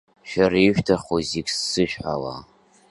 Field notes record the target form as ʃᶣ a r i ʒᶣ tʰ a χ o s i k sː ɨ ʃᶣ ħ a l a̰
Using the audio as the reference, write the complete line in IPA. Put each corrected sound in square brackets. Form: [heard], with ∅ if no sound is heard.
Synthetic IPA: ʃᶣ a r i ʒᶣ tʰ a χ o [z] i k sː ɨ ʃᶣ ħ a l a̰